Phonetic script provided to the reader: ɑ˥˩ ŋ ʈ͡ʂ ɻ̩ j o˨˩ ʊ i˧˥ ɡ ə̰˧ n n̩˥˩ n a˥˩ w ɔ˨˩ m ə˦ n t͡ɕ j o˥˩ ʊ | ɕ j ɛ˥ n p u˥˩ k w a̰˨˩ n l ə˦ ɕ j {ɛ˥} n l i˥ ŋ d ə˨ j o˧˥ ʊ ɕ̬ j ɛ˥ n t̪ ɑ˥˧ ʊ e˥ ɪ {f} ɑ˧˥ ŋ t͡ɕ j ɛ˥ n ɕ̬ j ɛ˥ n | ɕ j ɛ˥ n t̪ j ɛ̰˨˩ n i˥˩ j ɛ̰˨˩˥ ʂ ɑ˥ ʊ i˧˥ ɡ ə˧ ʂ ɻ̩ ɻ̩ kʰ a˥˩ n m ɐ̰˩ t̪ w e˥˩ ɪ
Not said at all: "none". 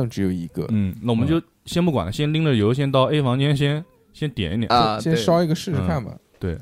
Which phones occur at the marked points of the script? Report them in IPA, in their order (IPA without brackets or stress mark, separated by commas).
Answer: ɛ˥, f